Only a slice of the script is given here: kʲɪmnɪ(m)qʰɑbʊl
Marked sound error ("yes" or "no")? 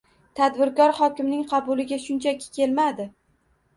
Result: yes